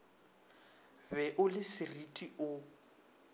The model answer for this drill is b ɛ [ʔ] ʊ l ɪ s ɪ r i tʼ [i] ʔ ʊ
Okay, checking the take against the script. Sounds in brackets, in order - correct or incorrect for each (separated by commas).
correct, correct